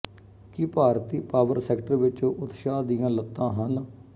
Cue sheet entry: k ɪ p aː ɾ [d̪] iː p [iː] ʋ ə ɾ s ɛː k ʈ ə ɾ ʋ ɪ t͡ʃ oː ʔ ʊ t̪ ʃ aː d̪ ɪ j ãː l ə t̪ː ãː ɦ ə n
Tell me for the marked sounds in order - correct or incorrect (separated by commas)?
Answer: incorrect, incorrect